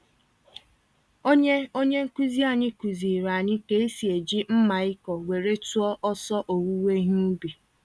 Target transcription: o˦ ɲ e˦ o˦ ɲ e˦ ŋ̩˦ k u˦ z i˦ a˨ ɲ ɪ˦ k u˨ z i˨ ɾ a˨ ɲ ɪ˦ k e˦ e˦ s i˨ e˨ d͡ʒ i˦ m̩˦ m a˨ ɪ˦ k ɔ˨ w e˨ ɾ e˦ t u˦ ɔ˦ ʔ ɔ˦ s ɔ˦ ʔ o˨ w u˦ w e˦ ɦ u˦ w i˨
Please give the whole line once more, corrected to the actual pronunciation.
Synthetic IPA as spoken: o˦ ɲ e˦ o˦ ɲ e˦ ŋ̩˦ k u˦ z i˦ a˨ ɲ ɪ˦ k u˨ z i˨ ɾ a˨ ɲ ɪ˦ k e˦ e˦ s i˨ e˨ d͡ʒ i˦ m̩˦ m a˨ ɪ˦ k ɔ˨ w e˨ ɾ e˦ t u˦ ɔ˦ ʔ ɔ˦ s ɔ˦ ʔ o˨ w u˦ w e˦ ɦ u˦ b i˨